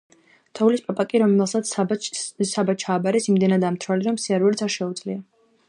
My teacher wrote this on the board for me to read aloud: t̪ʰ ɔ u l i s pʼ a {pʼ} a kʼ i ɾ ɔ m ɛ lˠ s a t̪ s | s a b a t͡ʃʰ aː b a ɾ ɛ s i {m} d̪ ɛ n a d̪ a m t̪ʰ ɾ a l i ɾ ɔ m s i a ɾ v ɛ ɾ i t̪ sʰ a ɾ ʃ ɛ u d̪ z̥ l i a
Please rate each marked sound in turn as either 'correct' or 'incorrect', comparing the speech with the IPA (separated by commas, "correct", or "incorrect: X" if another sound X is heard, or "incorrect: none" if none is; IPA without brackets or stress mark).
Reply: correct, correct